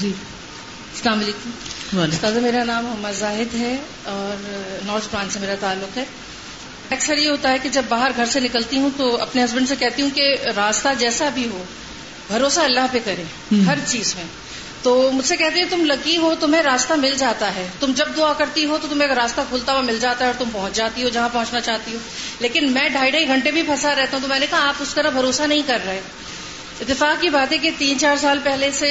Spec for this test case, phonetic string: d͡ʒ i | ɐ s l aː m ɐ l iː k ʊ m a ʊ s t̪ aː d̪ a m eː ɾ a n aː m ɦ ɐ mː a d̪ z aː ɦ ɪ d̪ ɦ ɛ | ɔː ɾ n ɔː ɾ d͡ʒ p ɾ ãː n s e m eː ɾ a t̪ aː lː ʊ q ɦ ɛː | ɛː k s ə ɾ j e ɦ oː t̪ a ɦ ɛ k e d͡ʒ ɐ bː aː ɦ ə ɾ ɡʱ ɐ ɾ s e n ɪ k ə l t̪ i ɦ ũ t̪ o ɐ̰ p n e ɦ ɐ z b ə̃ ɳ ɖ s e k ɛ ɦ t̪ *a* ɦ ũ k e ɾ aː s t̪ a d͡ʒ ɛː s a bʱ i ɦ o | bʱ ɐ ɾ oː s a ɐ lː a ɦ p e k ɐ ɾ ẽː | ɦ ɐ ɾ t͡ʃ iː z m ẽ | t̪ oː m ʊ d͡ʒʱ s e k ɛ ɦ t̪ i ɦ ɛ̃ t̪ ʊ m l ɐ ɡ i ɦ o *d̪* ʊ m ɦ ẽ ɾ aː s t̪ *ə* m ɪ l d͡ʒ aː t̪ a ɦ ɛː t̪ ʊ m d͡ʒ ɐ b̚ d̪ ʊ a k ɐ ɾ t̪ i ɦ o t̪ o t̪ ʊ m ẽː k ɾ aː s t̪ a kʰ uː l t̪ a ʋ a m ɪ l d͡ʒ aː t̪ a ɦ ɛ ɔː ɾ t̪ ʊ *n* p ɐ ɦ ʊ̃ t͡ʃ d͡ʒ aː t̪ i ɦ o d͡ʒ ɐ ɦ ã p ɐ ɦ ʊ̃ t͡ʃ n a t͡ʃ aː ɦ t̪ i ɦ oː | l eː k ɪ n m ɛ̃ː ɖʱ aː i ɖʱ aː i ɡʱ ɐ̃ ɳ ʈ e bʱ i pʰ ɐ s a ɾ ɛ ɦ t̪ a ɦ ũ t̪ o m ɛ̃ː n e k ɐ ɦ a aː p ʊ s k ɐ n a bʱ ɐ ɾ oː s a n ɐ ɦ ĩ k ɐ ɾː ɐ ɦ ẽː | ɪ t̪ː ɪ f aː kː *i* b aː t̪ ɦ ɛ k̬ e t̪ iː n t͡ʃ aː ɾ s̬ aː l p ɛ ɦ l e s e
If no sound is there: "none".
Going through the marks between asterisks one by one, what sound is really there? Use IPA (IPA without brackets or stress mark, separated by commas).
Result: i, t̪, a, m, i